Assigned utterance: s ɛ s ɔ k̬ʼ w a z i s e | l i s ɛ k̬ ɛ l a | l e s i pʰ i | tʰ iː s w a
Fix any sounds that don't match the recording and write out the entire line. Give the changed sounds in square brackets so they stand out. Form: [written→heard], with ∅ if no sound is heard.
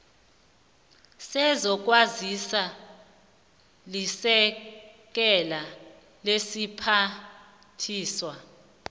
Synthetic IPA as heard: s ɛ [s→z] ɔ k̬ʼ w a z i s [e→a] | l i s ɛ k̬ ɛ l a | l e s i pʰ [i→a] | tʰ iː s w a